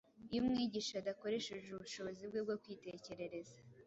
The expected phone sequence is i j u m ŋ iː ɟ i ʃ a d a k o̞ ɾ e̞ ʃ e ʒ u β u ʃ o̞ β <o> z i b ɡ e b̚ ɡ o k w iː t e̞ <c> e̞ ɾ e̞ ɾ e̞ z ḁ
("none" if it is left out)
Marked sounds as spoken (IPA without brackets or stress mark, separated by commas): o, c